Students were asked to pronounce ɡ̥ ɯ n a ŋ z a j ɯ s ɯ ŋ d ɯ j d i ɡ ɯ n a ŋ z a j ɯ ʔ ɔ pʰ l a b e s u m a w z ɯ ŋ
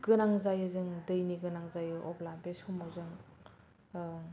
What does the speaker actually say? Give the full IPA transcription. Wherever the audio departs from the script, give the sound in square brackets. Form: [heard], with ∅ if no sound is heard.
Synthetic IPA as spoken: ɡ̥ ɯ n a ŋ z a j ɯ [z] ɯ ŋ d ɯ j [n] i ɡ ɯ n a ŋ z a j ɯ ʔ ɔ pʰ l a b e s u m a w z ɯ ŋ